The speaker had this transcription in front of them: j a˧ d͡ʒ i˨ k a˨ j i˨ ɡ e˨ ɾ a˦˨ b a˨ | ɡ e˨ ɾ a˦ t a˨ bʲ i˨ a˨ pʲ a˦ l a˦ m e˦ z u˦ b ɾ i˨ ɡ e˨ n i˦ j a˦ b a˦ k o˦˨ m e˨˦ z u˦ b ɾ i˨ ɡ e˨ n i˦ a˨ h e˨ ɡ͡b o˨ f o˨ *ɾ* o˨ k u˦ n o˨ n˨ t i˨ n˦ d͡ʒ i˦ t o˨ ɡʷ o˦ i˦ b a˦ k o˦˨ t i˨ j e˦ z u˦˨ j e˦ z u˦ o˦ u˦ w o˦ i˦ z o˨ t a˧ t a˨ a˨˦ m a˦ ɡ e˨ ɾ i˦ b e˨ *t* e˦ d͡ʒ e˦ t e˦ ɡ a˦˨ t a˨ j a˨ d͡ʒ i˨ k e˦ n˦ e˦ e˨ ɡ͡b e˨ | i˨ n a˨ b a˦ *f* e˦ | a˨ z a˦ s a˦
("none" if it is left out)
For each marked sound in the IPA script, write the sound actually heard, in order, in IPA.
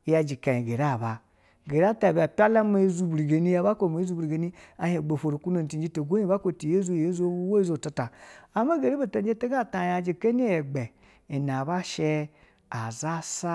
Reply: ɾ, t, ʃ

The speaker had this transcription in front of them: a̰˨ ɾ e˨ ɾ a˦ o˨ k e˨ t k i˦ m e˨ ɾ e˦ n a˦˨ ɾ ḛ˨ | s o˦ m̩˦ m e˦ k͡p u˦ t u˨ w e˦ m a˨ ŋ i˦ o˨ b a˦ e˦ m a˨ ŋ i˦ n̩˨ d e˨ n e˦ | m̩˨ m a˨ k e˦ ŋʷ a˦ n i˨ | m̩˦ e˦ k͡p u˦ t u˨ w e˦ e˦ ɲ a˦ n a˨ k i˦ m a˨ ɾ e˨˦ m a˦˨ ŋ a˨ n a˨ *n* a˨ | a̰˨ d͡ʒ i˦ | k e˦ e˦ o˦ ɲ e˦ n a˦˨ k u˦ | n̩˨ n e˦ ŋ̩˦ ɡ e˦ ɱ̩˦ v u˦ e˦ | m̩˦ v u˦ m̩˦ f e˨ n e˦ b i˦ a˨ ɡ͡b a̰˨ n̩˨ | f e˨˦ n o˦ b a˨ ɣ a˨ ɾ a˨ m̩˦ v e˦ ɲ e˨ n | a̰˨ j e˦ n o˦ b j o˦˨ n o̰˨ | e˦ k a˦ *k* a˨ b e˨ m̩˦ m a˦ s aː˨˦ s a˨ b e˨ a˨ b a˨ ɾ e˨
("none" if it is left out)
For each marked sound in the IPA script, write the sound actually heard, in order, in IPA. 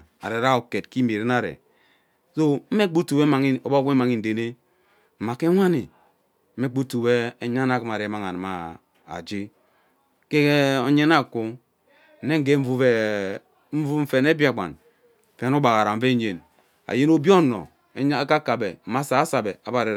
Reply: m, k

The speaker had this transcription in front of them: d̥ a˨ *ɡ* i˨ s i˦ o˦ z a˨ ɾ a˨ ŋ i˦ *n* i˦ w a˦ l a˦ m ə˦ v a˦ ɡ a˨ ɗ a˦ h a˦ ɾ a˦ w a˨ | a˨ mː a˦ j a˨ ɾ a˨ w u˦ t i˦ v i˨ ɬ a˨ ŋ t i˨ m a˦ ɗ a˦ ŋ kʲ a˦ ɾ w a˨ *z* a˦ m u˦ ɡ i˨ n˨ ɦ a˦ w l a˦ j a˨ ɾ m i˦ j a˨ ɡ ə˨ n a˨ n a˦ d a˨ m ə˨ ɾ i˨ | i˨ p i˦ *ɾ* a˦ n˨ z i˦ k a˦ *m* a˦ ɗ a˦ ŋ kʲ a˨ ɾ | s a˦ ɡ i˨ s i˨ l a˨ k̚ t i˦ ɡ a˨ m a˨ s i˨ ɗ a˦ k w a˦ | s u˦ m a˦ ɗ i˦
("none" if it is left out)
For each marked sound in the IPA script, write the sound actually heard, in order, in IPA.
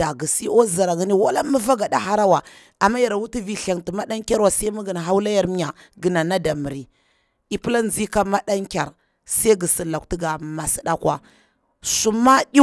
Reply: ɡ, n, s, l, m

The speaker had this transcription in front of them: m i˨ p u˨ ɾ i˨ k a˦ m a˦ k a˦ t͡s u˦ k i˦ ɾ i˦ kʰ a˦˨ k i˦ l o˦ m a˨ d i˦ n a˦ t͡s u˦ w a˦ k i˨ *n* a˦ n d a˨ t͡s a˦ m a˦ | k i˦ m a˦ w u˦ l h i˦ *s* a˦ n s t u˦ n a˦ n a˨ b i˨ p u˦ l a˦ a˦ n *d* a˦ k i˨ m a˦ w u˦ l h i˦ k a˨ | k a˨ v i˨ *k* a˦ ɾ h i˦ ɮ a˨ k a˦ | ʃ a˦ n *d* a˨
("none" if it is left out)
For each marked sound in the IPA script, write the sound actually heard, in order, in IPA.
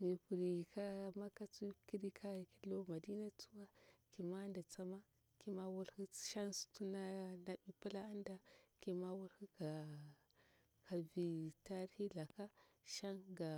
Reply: m, ʃ, d, t, ɡ

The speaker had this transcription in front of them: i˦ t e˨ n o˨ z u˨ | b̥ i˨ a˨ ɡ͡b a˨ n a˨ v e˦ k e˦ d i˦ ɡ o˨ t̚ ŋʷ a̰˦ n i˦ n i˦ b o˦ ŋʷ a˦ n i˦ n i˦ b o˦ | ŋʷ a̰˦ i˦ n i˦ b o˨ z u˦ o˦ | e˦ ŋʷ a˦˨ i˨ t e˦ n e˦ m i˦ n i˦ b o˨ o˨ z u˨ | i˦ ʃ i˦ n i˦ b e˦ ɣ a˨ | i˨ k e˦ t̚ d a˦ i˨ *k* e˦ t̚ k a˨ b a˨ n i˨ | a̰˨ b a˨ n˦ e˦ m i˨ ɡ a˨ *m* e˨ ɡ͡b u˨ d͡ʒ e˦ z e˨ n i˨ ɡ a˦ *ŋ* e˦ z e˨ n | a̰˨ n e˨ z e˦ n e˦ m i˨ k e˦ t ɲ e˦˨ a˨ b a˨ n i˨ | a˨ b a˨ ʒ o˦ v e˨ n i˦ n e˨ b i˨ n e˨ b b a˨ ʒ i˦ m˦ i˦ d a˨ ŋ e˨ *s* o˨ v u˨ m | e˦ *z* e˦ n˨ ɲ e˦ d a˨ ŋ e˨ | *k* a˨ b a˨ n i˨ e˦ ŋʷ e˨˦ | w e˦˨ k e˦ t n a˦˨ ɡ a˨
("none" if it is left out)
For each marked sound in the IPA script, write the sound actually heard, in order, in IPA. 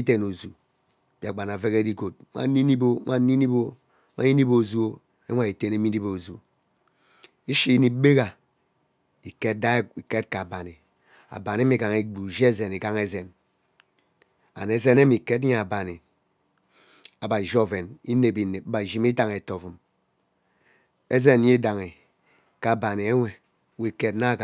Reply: k, ŋ, ŋ, t, z, k

